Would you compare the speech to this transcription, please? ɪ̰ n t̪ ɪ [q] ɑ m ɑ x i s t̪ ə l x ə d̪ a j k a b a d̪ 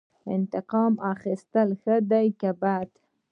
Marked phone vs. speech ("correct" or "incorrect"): correct